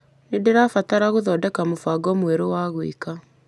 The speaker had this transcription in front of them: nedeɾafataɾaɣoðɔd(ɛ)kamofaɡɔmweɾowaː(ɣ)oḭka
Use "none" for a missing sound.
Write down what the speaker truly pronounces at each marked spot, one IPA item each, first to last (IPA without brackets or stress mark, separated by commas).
ɛ, ɣ